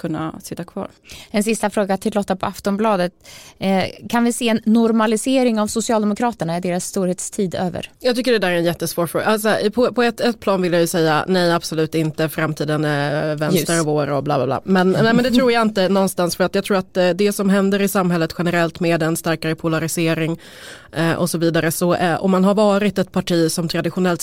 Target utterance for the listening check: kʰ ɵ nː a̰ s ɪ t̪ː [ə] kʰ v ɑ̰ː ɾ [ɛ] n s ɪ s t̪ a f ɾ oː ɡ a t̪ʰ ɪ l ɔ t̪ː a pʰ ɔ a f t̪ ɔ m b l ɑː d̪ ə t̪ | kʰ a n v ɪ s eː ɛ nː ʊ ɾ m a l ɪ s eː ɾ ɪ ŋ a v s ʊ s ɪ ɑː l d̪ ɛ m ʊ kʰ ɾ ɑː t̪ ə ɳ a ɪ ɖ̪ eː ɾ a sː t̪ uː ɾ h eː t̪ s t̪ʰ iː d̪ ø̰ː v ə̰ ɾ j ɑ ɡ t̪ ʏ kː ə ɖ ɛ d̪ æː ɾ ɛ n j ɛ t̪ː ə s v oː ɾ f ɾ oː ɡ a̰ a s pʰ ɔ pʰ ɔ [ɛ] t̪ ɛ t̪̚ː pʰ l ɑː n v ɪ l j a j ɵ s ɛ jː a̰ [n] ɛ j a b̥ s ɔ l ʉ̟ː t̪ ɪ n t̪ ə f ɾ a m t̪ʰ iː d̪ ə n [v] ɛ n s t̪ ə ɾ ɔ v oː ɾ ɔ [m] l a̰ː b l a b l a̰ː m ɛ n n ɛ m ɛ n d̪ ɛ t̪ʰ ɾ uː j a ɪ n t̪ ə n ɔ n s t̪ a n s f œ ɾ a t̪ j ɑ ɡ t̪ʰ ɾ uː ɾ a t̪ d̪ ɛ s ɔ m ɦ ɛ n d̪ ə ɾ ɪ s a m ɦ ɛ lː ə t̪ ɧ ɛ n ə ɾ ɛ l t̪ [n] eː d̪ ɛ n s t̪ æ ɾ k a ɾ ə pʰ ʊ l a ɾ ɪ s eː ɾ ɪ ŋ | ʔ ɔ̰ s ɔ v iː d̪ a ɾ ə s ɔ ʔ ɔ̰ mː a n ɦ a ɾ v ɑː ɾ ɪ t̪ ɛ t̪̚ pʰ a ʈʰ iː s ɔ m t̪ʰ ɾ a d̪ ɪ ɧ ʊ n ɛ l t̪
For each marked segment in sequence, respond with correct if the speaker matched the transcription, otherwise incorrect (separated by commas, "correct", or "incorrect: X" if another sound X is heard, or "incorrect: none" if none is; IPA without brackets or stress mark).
incorrect: a, correct, correct, correct, correct, incorrect: b, incorrect: m